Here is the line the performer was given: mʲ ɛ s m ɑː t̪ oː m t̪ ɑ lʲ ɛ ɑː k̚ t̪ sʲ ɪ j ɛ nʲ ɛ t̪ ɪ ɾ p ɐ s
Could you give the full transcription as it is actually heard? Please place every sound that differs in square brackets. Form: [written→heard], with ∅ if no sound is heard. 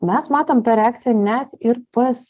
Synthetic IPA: mʲ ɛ s m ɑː t̪ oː m t̪ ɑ [lʲ→ɾʲ] ɛ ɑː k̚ t̪ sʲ ɪ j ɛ nʲ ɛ t̪ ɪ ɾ p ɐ s